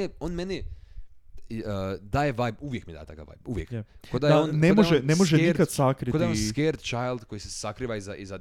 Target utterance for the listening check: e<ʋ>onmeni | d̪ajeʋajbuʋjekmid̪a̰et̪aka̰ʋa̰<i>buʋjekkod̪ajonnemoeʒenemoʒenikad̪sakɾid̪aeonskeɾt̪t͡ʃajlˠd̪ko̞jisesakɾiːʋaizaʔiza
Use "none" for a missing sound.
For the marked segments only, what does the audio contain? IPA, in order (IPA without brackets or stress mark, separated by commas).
none, j